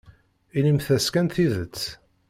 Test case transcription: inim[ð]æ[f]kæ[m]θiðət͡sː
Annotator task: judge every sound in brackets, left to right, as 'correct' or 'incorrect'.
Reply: incorrect: θ, incorrect: s, incorrect: n

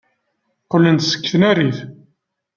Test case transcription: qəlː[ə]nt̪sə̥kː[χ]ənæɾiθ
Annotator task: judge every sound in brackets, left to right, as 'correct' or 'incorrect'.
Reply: correct, incorrect: θ

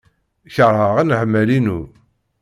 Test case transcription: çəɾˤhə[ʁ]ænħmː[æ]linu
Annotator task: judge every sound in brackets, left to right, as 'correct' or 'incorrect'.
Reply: correct, correct

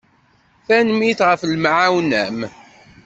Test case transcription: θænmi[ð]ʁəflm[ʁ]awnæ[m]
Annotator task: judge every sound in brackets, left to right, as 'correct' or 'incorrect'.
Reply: incorrect: θ, incorrect: ʕ, correct

